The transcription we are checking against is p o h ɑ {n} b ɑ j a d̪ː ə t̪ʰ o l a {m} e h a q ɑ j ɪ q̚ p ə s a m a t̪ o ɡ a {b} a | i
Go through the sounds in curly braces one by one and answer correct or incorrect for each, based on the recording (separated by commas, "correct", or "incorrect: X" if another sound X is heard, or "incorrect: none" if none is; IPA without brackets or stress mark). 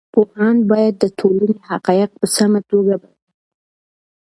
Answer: correct, incorrect: n, correct